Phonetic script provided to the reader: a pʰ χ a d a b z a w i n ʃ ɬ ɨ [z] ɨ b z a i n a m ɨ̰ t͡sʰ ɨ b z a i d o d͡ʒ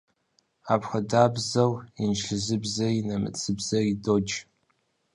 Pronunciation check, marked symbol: correct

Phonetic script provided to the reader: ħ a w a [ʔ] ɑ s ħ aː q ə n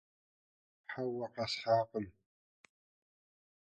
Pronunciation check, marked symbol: incorrect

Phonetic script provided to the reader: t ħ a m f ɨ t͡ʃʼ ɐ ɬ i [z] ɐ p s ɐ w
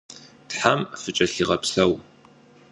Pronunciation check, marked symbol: incorrect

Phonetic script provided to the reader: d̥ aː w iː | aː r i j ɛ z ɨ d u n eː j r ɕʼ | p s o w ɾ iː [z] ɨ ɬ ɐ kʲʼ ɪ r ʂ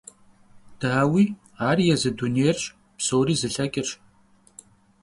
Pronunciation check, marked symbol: correct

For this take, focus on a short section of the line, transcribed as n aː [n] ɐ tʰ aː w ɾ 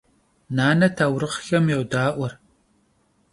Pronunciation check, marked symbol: correct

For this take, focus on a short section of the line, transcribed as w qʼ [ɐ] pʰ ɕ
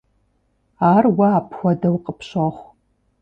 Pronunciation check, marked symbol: incorrect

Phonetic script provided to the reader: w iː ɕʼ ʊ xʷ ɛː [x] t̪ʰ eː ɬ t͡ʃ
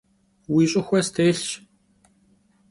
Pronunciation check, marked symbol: incorrect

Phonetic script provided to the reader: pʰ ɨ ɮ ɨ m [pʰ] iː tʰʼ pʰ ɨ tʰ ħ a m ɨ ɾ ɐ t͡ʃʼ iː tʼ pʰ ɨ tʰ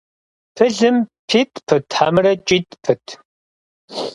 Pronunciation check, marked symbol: correct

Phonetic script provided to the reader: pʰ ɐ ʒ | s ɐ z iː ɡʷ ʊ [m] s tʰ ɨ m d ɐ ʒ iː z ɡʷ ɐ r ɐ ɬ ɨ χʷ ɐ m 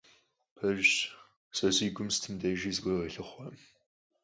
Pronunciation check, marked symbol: correct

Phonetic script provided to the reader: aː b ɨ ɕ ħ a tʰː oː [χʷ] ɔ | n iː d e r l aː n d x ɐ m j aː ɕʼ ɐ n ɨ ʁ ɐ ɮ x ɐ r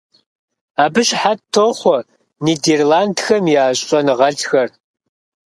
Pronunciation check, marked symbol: correct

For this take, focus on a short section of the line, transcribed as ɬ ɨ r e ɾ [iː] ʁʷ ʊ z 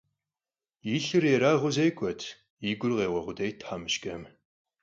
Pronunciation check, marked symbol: incorrect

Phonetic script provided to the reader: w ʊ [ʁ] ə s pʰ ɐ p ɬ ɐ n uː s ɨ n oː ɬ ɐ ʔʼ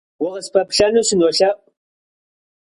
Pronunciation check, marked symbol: correct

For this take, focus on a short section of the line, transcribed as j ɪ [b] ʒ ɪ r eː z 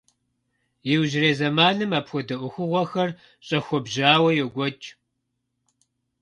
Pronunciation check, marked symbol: incorrect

